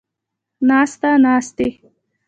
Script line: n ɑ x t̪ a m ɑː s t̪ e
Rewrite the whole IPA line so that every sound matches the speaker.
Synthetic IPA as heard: n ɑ s t̪ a n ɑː s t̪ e